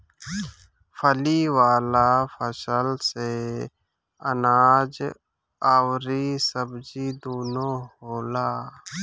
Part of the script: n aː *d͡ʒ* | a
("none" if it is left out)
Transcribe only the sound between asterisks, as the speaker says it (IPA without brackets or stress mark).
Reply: d͡ʒ